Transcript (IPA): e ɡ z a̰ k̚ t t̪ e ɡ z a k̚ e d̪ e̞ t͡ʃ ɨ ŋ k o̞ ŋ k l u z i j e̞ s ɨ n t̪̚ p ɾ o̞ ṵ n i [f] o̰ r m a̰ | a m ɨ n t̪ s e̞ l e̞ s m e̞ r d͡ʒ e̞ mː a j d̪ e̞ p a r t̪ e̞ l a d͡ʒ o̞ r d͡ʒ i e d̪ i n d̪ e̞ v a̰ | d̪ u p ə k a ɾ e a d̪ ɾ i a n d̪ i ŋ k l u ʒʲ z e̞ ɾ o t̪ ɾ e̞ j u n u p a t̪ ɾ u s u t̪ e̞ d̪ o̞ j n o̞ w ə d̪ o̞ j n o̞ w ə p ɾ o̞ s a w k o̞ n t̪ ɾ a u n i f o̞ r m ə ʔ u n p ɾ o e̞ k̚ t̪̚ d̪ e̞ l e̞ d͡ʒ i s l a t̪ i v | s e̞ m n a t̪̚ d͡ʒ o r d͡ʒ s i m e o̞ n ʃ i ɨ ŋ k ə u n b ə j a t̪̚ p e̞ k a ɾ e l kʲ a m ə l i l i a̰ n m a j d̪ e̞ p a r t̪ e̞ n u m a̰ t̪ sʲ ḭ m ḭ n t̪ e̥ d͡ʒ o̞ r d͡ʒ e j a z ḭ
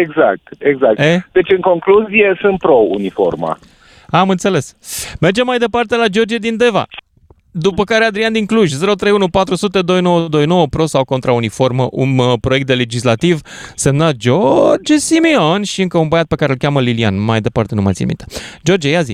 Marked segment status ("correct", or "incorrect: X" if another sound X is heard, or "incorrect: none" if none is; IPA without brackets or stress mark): correct